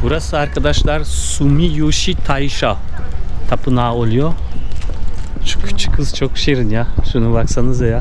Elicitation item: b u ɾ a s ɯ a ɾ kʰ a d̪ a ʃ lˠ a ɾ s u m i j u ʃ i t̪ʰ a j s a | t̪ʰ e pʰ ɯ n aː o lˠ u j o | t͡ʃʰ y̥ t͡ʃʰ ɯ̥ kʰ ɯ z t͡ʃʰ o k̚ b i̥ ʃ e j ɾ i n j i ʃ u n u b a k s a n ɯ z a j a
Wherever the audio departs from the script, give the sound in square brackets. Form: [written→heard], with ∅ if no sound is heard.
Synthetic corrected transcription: b u ɾ a s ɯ a ɾ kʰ a d̪ a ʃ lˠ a ɾ s u m i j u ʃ i t̪ʰ a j [s→ʃ] a | t̪ʰ [e→a] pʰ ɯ n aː o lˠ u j o | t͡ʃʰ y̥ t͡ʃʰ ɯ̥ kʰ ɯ z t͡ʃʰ o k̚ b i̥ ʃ e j ɾ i n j [i→a] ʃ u n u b a k s a n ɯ z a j a